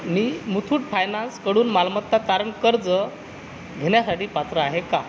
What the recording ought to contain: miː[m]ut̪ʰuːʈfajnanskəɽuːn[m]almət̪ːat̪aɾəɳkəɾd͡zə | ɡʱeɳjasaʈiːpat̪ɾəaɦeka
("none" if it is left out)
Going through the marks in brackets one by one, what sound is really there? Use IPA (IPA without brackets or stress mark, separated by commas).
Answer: m, m